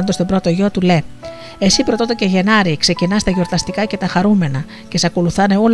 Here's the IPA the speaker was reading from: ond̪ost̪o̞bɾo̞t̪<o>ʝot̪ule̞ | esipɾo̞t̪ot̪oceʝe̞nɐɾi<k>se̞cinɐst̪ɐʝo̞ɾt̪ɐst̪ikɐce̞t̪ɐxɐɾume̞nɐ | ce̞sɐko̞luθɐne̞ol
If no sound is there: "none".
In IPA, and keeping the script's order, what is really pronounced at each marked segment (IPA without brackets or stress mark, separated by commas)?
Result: o, k